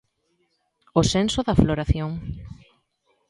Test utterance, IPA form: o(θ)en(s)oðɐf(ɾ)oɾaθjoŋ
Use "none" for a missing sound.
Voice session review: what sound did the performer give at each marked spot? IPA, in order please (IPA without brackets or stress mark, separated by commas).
s, s, l